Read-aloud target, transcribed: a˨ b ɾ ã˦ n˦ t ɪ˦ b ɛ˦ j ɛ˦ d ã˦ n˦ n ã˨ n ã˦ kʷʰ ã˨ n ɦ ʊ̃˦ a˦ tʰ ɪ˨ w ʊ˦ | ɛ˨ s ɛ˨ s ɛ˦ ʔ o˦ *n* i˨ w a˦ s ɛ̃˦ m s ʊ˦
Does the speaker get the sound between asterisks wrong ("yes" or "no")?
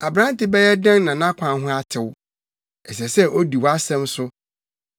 yes